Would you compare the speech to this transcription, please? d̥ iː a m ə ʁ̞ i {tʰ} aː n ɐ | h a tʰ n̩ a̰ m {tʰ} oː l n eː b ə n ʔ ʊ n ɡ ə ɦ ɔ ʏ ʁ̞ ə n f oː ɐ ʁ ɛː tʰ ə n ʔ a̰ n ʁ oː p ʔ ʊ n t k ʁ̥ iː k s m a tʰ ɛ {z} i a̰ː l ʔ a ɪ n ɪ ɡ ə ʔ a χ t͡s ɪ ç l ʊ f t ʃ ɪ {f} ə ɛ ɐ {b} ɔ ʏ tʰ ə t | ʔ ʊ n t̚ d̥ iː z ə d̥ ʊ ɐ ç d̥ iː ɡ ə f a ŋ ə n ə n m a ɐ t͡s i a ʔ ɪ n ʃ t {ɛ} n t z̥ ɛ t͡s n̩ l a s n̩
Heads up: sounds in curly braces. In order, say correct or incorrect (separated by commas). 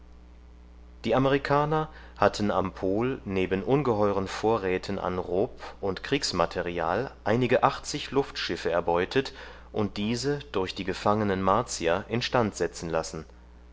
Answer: incorrect, incorrect, incorrect, correct, correct, incorrect